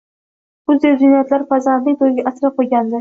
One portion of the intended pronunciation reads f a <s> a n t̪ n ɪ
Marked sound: incorrect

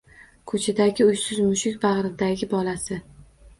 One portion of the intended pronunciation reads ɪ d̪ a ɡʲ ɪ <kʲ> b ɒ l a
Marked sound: incorrect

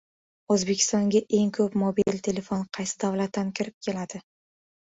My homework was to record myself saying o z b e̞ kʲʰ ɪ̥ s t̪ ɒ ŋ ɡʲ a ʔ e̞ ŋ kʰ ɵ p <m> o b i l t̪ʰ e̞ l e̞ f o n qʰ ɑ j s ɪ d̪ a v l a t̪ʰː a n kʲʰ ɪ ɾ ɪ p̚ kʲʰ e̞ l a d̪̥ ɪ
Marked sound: correct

